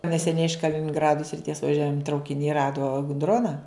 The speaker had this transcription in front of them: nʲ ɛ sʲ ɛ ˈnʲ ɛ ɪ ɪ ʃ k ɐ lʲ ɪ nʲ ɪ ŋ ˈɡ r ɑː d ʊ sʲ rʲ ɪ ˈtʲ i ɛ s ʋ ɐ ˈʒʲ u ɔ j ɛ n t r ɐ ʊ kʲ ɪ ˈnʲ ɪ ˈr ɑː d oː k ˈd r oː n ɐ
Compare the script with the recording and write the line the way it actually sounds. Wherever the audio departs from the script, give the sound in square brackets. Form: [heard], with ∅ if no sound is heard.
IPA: nʲ ɛ sʲ ɛ ˈnʲ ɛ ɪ ɪ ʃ k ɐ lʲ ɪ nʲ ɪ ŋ ˈɡ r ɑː d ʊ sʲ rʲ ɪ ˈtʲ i ɛ s ʋ ɐ ˈʒʲ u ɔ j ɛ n t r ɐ ʊ kʲ ɪ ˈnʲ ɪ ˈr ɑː d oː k ˈd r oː n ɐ